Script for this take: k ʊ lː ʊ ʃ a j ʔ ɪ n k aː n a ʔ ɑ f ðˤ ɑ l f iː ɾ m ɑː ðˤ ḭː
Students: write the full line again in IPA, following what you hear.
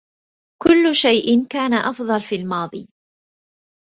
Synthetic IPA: k ʊ lː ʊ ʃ a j ʔ ɪ n k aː n a ʔ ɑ f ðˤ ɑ l f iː l m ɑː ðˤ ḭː